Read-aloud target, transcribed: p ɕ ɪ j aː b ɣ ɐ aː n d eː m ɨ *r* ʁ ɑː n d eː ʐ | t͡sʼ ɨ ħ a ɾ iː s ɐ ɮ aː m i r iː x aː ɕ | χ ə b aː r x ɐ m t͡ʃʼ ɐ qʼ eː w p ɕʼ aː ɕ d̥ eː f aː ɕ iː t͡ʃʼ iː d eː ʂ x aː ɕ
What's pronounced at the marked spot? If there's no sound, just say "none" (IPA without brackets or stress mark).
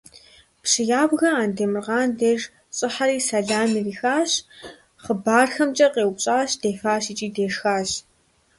r